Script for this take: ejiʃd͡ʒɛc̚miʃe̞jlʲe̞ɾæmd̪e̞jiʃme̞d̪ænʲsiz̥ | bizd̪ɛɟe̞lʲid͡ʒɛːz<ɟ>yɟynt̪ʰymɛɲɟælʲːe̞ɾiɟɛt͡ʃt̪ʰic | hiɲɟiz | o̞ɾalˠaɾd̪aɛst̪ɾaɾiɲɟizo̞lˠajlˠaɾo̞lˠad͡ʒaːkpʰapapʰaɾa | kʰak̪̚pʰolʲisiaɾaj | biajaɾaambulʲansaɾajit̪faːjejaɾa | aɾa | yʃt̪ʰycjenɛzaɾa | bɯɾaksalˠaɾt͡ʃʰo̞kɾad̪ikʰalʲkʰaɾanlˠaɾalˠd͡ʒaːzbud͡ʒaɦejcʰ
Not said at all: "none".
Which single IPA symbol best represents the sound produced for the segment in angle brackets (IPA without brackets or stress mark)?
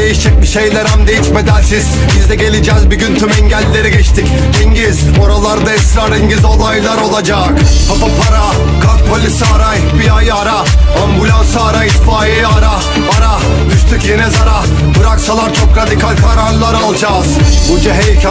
b